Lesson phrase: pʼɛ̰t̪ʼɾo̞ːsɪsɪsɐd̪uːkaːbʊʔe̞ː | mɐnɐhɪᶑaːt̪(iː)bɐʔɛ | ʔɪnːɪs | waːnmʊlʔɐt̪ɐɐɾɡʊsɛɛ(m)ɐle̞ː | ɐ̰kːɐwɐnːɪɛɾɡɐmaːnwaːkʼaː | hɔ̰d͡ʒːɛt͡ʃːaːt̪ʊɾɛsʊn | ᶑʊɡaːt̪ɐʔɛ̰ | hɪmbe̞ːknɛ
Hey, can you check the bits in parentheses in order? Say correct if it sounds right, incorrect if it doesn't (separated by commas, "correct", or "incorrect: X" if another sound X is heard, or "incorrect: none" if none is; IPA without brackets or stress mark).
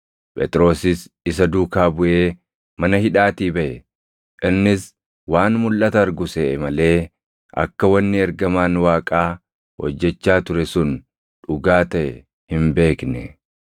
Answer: correct, correct